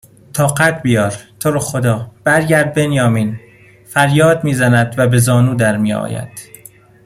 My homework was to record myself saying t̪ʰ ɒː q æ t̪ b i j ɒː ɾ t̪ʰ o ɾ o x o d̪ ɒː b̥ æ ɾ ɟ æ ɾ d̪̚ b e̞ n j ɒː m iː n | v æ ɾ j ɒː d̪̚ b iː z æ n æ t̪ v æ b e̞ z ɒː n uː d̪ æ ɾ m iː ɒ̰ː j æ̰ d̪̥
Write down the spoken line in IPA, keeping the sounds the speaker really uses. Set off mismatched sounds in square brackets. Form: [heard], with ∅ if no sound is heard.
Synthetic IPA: t̪ʰ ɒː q æ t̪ b i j ɒː ɾ t̪ʰ o ɾ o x o d̪ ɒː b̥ æ ɾ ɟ æ ɾ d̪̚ b e̞ n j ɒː m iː n | [f] æ ɾ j ɒː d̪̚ [m] iː z æ n æ [d̪] v æ b e̞ z ɒː n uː d̪ æ ɾ m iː ɒ̰ː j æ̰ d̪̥

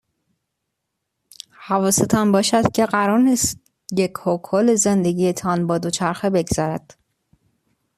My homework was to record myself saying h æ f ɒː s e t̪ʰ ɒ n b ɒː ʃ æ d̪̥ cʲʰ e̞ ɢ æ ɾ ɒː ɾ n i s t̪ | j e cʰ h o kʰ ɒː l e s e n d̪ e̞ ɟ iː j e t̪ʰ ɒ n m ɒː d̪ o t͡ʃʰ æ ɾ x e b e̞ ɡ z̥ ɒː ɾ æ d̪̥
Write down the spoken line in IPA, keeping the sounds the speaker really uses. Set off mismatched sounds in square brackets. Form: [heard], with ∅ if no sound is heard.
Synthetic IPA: h æ [v] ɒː s e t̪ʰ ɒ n b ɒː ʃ æ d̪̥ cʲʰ e̞ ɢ æ ɾ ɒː ɾ n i s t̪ | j e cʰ h o kʰ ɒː l e [z] e n d̪ e̞ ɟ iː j e t̪ʰ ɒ n [b] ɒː d̪ o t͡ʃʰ æ ɾ x e b e̞ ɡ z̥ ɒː ɾ æ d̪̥

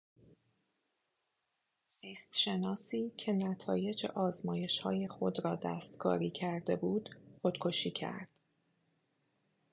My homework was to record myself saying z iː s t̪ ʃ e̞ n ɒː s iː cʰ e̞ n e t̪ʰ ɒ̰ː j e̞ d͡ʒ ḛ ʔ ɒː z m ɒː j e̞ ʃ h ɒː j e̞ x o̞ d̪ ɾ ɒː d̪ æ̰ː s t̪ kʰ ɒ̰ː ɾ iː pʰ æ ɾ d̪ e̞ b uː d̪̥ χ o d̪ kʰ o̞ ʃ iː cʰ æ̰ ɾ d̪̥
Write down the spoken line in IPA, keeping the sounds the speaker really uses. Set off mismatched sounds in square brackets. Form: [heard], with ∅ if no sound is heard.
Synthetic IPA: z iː s t̪ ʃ e̞ n ɒː s iː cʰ e̞ n [æ] t̪ʰ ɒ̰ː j e̞ d͡ʒ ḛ ʔ ɒː z m ɒː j e̞ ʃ h ɒː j e̞ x o̞ d̪ ɾ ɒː d̪ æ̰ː s t̪ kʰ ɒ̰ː ɾ iː [cʰ] æ ɾ d̪ e̞ b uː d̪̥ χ o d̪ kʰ o̞ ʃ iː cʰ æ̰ ɾ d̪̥

